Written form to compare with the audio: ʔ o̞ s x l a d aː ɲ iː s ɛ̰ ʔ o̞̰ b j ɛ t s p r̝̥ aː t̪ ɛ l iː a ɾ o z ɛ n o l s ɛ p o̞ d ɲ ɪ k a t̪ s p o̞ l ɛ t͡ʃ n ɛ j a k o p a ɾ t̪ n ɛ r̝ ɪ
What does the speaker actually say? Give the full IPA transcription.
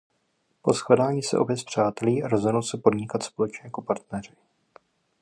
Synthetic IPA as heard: p o̞ s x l a d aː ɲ iː s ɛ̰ ʔ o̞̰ b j ɛ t s p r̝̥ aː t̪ ɛ l iː a ɾ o z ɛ n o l s ɛ p o̞ d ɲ ɪ k a t̪ s p o̞ l ɛ t͡ʃ ɲ ɛ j a k o p a ɾ t̪ n ɛ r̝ ɪ